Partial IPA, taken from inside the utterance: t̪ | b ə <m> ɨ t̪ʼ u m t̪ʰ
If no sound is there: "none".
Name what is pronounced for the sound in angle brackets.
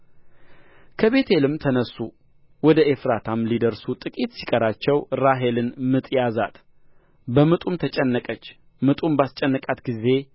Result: m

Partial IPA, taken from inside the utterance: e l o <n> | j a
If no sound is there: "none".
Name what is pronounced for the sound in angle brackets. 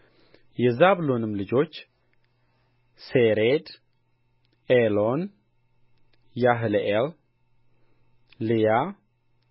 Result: n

